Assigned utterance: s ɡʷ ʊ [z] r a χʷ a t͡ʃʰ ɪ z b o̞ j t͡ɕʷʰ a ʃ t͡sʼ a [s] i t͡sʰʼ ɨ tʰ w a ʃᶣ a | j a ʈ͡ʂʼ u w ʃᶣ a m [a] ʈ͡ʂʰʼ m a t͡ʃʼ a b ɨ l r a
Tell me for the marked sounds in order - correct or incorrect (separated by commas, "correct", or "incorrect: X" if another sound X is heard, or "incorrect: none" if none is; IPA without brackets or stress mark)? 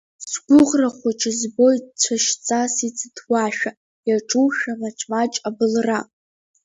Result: incorrect: ʁ, correct, correct